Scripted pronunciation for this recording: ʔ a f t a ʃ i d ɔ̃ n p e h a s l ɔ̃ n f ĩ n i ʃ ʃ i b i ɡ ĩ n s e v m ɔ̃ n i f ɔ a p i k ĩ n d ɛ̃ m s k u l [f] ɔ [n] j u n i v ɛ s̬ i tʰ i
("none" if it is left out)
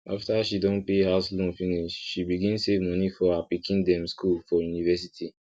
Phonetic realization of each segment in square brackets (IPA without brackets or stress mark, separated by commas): f, none